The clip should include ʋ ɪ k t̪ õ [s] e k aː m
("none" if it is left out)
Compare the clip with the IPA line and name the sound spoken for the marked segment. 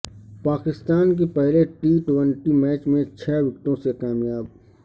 s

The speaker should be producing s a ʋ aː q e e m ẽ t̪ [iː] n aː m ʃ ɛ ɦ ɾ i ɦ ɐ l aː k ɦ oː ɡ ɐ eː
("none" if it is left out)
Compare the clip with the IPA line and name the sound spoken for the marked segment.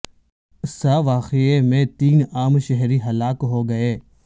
iː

